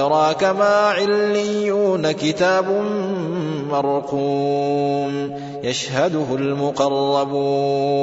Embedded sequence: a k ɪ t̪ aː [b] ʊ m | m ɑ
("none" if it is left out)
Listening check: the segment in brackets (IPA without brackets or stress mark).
b